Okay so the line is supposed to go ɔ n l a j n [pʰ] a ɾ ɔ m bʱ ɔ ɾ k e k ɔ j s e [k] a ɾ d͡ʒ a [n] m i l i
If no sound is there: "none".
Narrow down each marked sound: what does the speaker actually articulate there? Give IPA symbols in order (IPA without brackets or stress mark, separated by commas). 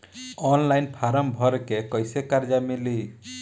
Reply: pʰ, k, none